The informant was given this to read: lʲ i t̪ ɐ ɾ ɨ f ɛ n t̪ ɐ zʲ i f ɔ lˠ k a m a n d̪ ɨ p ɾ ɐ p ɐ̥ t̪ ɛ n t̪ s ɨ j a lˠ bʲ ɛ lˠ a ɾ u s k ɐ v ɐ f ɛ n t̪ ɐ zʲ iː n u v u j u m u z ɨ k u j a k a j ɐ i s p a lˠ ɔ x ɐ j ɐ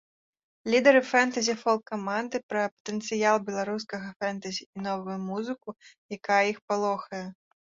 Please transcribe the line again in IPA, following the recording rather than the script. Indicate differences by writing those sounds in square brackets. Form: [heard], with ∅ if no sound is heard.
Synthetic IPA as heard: lʲ i [d̪] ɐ ɾ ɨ f ɛ n t̪ ɐ zʲ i f ɔ lˠ k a m a n d̪ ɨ p ɾ ɐ p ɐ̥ t̪ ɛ n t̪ s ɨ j a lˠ bʲ ɛ lˠ a ɾ u s k ɐ [ɣ] ɐ f ɛ n t̪ ɐ zʲ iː n [ɔ] v u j u m u z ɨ k u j a k a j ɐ i [x] p a lˠ ɔ x ɐ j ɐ